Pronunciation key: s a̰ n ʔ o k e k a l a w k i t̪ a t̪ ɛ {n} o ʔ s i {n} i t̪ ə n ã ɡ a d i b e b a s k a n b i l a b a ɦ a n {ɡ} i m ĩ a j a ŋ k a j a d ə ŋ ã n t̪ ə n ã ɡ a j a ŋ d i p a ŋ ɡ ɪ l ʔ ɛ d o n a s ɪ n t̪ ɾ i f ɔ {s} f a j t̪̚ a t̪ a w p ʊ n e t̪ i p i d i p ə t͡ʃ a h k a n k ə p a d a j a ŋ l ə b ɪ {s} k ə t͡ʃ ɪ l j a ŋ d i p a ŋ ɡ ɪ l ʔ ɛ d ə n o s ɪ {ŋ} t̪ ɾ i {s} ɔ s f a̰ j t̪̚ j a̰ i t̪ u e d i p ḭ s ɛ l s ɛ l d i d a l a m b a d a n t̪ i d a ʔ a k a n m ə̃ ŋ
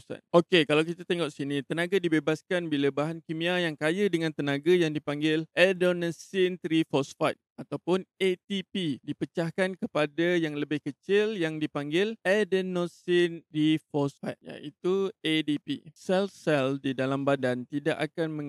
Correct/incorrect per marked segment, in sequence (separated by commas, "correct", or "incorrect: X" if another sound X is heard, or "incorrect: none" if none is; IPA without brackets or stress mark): incorrect: ŋ, correct, incorrect: k, correct, incorrect: h, incorrect: n, incorrect: f